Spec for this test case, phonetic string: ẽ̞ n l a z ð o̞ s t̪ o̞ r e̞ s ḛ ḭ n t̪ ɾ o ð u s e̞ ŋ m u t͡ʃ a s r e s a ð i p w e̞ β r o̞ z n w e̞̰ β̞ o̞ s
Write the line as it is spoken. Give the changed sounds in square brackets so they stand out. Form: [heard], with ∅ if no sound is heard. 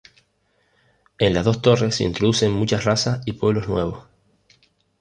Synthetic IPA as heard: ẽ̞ n l a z ð o̞ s t̪ o̞ r e̞ s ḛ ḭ n t̪ ɾ o ð u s e̞ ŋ m u t͡ʃ a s r [a] s a [∅] i p w e̞ β [l] o̞ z n w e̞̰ β̞ o̞ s